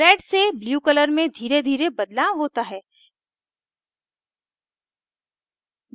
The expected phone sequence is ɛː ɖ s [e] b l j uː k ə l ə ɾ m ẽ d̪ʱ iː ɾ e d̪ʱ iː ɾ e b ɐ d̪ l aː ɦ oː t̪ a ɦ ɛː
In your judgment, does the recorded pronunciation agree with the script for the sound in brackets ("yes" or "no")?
yes